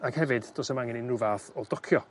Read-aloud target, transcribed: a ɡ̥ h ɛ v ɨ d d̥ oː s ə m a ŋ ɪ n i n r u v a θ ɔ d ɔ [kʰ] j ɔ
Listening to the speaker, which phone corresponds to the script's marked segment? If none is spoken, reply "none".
kʰ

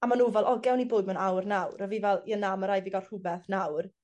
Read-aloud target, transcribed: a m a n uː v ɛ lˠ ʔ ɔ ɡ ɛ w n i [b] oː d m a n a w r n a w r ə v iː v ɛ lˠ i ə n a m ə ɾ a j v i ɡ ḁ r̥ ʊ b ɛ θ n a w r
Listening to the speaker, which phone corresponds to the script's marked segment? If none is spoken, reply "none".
b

